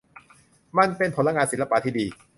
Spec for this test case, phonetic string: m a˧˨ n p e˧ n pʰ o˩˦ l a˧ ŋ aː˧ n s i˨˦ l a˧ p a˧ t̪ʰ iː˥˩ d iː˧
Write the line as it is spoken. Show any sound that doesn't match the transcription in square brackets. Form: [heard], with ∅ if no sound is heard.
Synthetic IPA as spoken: m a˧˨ n p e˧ n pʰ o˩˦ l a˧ ŋ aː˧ n s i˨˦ l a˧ p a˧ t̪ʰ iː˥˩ d iː˧